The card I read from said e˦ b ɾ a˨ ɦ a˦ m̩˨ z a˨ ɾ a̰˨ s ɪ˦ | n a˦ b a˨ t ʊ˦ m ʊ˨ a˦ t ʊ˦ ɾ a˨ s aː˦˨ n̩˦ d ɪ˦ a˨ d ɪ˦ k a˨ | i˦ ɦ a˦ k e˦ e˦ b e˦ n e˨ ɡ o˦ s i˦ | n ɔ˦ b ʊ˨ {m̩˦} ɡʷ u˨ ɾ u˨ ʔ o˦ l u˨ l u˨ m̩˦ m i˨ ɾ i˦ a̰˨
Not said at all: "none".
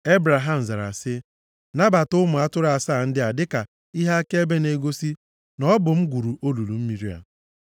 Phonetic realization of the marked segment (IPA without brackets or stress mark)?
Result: m̩˦